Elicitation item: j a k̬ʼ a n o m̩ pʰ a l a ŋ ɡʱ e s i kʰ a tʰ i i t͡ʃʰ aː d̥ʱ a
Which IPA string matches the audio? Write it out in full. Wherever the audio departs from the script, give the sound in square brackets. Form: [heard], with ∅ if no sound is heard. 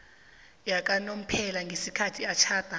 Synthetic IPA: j a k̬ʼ a n o m̩ pʰ [ɛ] l a ŋ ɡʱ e s i kʰ a tʰ i [a] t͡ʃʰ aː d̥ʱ a